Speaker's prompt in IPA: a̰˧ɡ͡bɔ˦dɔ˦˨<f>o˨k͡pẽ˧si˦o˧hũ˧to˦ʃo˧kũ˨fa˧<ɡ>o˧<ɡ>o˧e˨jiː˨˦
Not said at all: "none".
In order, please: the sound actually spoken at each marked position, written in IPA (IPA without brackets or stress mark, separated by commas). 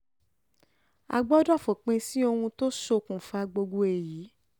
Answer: f, ɡ͡b, ɡ